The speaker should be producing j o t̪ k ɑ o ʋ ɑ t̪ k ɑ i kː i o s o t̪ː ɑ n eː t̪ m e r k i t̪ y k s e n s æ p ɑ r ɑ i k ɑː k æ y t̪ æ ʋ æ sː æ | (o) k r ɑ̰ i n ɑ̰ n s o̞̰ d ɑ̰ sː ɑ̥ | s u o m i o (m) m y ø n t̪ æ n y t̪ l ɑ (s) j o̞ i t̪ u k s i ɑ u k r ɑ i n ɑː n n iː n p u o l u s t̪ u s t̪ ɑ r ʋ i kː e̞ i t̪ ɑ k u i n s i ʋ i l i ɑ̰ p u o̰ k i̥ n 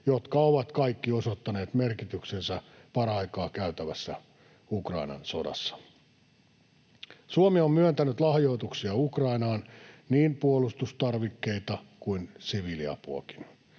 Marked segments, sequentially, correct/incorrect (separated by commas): incorrect, correct, incorrect